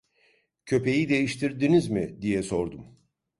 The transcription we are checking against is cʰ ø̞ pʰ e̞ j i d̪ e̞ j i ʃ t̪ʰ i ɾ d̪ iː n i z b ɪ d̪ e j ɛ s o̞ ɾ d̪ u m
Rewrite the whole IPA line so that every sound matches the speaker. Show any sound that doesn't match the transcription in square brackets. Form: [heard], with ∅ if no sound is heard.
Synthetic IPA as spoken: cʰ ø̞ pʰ e̞ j i d̪ e̞ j i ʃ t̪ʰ i ɾ d̪ [i] n i z [m] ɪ d̪ [i] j ɛ s o̞ ɾ d̪ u m

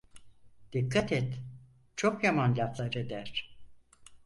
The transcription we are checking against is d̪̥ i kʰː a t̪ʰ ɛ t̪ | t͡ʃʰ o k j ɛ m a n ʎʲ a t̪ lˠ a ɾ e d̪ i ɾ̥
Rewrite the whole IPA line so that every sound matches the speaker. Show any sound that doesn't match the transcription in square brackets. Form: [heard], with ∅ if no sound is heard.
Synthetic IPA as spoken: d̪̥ i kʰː a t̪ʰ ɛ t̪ | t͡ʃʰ o k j [a] m a n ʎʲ a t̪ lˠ a ɾ e d̪ [æ] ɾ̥

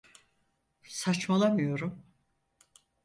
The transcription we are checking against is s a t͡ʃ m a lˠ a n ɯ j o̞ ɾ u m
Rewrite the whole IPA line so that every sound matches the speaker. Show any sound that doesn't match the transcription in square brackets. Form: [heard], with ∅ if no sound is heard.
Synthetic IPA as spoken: s a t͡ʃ m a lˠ a [m] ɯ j o̞ ɾ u m

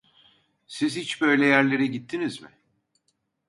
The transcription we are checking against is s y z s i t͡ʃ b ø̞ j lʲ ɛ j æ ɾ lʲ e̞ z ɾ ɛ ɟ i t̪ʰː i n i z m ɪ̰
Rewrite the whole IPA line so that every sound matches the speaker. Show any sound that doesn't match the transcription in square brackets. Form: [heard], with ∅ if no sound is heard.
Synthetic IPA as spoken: s [i] z [h] i t͡ʃ b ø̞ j lʲ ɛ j æ ɾ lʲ e̞ [∅] ɾ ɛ ɟ i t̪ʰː i n i z m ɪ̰

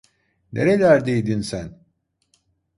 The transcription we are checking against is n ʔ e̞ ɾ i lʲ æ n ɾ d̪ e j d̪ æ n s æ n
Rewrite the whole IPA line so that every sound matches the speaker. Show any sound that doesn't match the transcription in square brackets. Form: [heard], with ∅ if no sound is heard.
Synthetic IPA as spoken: n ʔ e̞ ɾ [e] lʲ æ [∅] ɾ d̪ e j d̪ [i] n s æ n

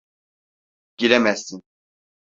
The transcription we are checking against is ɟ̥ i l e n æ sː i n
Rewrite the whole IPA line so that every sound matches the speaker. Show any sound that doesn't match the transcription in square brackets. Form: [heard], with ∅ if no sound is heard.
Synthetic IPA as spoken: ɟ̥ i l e [m] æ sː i n

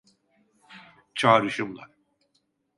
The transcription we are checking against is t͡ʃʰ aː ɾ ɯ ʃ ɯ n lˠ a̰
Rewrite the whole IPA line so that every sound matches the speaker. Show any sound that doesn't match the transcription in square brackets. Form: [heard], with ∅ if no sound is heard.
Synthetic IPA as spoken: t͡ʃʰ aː ɾ ɯ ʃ ɯ [m] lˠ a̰

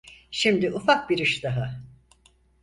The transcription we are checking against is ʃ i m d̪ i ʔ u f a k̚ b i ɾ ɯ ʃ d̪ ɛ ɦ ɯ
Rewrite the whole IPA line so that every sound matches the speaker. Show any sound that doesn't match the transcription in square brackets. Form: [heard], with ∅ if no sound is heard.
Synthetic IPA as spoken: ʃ i m d̪ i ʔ u f a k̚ b i ɾ ɯ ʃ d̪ [a] ɦ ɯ

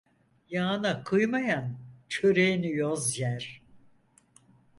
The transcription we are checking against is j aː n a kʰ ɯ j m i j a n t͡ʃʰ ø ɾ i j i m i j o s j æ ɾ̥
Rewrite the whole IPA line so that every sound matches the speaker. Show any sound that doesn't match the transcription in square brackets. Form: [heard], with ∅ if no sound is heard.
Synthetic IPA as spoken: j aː n a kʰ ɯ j m [a] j a n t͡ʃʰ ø ɾ [e] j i [n] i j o [z] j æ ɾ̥

